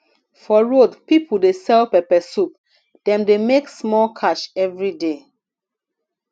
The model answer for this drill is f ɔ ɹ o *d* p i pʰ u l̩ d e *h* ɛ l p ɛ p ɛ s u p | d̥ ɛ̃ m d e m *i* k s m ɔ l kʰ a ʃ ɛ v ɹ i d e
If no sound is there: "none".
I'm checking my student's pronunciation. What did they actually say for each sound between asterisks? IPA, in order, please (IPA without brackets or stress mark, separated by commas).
d, s, e